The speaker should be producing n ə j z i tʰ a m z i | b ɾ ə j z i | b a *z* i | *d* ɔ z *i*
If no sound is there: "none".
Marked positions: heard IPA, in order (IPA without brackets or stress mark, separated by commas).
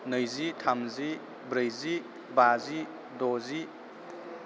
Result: z, d, i